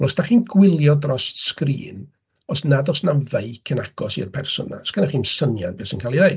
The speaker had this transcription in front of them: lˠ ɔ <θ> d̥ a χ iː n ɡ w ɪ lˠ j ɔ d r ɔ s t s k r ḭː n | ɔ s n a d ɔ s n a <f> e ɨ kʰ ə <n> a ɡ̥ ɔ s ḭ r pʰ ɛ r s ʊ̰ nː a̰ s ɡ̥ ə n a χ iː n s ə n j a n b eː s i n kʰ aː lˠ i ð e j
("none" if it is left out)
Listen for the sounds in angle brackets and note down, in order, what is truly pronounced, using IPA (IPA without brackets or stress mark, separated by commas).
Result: s, v, n